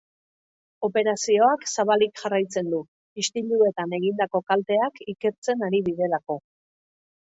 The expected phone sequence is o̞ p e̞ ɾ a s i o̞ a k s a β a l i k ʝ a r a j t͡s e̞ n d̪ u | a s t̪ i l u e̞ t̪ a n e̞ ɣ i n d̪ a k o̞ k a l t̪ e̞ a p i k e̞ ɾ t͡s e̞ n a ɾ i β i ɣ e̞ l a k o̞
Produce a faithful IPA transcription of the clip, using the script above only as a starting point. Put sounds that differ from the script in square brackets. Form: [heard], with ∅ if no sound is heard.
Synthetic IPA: o̞ p e̞ ɾ a s i o̞ a k s a β a l i k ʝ a r a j t͡s e̞ n d̪ u | [i] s t̪ i l u e̞ t̪ a n e̞ ɣ i n d̪ a k o̞ k a l t̪ e̞ a [k] i k e̞ ɾ t͡s e̞ n a ɾ i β i [ð] e̞ l a k o̞